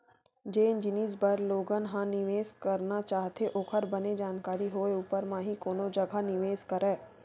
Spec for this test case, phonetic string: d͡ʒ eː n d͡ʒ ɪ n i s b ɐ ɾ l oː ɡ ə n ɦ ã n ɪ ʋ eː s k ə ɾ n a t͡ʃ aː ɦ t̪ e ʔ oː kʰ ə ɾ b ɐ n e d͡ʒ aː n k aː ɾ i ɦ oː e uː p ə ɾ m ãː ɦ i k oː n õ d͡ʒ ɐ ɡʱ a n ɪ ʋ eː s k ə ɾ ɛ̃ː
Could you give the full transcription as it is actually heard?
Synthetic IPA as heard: d͡ʒ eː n d͡ʒ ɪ n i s b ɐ ɾ l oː ɡ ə n ɦ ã n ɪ ʋ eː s k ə ɾ n a t͡ʃ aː ɦ t̪ e ʔ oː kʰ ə ɾ b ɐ n e d͡ʒ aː n k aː ɾ i ɦ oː e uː p ə ɾ m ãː ɦ i k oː n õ d͡ʒ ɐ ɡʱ a n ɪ ʋ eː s k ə ɾ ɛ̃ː